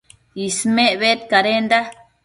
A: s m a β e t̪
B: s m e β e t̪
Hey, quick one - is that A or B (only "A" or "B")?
B